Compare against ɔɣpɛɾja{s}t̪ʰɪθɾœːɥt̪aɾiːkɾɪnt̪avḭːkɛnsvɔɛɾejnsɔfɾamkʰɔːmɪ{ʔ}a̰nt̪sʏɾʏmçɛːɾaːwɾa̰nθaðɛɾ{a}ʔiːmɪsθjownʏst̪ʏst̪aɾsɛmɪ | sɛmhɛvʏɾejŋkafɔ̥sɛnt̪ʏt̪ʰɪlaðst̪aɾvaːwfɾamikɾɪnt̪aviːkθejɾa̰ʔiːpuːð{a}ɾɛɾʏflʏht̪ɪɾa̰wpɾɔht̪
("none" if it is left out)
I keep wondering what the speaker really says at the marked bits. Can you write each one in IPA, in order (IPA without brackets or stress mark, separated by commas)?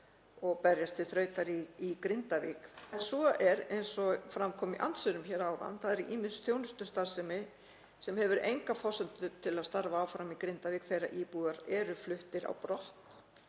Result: s, ʔ, i, a